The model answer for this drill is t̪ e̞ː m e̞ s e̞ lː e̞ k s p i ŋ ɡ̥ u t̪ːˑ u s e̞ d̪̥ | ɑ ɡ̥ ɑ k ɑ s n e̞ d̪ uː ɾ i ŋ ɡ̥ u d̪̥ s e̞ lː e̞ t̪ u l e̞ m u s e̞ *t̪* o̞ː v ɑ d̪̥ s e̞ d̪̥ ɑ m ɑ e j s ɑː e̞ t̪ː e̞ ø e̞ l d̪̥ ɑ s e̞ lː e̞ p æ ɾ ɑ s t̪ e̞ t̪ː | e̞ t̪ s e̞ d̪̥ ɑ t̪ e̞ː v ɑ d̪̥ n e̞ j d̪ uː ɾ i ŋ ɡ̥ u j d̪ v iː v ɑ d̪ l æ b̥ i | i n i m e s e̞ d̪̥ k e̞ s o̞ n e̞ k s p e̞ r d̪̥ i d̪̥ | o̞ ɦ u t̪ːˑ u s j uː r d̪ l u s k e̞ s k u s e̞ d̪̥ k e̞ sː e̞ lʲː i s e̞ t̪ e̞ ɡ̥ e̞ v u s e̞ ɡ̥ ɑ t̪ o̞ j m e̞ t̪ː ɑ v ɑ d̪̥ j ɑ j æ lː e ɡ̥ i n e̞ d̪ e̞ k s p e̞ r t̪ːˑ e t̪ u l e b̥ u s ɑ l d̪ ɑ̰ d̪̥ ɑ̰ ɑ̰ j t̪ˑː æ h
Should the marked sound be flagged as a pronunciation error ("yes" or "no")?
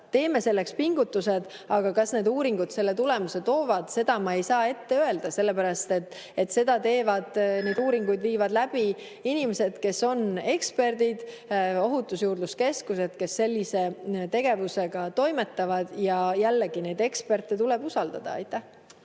no